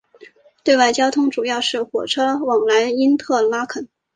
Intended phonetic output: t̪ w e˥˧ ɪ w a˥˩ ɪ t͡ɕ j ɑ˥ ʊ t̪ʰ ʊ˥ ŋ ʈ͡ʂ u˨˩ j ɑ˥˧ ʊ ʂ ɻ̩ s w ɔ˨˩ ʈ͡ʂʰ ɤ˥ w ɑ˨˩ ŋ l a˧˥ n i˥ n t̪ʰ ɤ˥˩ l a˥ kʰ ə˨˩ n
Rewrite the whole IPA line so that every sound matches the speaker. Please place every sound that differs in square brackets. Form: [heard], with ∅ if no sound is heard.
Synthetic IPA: t̪ w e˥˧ ɪ w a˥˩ ɪ t͡ɕ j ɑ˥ ʊ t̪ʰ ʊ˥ ŋ ʈ͡ʂ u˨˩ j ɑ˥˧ ʊ ʂ ɻ̩ [x] w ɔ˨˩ ʈ͡ʂʰ ɤ˥ w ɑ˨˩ ŋ l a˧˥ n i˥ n t̪ʰ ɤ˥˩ l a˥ kʰ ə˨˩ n